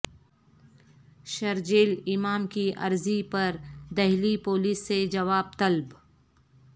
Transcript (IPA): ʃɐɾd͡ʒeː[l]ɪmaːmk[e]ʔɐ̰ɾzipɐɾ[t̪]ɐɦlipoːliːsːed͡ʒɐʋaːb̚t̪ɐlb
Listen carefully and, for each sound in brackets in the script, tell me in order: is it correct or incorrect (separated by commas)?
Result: correct, incorrect, incorrect